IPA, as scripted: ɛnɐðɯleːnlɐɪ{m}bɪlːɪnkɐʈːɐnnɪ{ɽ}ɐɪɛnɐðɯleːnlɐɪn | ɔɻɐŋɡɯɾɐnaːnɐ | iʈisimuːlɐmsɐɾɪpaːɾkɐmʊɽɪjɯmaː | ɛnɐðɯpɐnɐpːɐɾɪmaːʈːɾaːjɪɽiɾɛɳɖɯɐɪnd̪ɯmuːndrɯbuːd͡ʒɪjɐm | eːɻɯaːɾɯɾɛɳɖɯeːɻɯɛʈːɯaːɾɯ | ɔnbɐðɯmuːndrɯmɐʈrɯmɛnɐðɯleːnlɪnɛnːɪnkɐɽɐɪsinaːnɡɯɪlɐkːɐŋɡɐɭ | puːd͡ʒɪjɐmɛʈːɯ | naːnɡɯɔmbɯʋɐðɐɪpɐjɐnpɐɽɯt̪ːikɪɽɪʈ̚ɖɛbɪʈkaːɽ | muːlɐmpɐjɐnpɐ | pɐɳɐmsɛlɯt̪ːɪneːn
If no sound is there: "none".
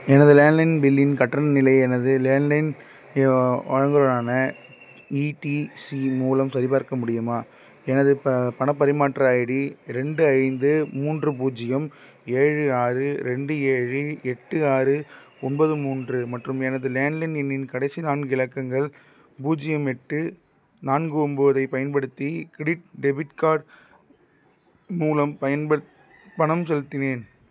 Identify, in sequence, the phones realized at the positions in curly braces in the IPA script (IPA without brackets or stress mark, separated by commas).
n, l